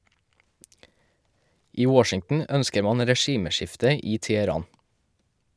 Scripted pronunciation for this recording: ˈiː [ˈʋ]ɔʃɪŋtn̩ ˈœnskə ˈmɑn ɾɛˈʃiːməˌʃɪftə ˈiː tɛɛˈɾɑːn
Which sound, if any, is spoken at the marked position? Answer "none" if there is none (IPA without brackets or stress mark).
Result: w